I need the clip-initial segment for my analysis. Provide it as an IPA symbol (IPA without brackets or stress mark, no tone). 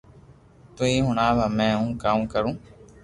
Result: t̪